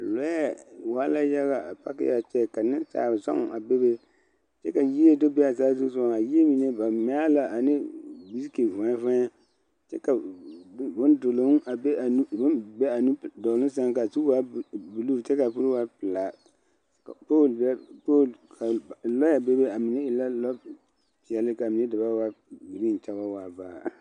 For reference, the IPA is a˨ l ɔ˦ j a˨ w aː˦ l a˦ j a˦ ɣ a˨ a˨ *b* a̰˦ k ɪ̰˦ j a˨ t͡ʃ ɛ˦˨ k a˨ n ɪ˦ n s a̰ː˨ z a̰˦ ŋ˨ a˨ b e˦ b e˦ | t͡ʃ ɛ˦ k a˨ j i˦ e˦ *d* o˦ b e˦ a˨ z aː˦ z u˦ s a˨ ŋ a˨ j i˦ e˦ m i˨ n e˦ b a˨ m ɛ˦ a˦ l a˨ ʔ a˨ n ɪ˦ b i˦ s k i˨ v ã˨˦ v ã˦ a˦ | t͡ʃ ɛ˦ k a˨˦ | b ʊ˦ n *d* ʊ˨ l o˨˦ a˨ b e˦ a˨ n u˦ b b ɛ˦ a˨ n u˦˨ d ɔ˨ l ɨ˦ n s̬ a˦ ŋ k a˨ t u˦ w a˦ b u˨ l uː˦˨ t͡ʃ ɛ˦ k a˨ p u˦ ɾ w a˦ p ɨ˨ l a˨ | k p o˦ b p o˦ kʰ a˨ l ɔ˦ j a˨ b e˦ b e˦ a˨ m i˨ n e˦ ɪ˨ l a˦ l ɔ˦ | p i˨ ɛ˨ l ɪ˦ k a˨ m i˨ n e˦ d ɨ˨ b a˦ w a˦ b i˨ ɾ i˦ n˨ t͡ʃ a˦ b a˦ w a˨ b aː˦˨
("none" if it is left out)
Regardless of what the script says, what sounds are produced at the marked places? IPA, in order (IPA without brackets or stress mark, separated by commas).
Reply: p, d, d